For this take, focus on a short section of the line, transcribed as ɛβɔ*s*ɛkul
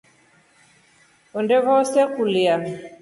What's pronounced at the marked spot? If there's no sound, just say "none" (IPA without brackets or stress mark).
s